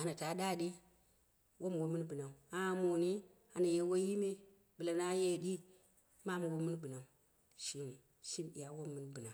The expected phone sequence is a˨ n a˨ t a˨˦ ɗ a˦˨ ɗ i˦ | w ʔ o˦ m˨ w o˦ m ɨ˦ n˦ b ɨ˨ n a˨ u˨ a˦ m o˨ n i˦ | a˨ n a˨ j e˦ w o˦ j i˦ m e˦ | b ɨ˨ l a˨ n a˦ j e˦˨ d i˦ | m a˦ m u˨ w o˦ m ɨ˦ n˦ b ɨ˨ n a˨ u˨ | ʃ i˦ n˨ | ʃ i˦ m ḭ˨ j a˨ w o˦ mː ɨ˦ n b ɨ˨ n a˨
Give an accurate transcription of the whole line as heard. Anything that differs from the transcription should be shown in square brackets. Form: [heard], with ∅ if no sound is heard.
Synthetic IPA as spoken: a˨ n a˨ t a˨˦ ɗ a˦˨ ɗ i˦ | w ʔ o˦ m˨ w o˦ m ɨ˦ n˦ b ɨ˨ n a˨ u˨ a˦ m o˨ n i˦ | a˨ n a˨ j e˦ w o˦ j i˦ m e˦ | b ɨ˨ l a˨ n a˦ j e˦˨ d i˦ | m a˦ m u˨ w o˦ m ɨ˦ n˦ b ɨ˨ n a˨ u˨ | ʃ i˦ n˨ | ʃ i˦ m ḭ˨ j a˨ w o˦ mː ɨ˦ n b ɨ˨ n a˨